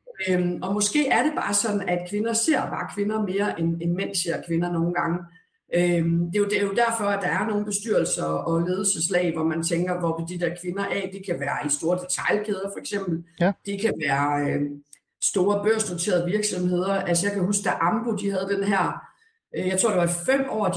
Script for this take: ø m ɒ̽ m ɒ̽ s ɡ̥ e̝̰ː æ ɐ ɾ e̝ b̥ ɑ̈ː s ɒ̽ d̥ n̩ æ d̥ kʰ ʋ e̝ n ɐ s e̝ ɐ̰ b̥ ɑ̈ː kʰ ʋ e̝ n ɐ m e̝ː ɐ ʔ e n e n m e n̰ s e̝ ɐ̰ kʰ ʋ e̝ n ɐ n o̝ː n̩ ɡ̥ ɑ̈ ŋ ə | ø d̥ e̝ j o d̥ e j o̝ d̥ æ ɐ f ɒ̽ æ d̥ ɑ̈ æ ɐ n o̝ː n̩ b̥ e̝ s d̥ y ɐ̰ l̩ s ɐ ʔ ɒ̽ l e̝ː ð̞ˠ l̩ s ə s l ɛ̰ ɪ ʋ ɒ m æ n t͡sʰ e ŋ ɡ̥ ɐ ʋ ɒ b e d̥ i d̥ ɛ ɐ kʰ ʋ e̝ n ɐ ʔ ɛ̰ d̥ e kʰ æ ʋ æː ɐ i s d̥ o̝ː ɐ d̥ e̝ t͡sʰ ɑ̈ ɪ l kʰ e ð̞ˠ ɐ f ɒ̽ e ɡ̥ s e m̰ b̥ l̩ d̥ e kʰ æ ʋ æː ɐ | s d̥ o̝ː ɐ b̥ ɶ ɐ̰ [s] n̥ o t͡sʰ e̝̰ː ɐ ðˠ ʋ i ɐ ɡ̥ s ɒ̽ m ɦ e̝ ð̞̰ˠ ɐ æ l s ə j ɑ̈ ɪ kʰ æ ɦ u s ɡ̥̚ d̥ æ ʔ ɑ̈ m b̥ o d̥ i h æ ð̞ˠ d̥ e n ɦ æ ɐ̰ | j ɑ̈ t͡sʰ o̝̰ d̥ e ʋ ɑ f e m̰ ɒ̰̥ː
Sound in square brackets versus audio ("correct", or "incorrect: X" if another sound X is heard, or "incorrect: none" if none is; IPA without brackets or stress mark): correct